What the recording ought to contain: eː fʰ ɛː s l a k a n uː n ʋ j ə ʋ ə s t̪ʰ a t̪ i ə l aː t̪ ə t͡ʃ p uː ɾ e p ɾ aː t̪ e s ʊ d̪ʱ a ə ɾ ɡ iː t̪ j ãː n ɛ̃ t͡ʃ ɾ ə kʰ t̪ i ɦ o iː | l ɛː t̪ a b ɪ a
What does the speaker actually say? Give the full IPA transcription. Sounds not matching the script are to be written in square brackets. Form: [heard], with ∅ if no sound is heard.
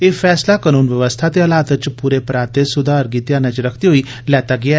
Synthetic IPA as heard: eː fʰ ɛː s l a k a n uː n ʋ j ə ʋ ə s t̪ʰ a t̪ [e] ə l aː t̪ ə t͡ʃ p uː ɾ e p ɾ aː t̪ e s ʊ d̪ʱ a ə ɾ ɡ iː t̪ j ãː n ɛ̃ t͡ʃ ɾ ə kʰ t̪ i ɦ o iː | l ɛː t̪ a [ɡ] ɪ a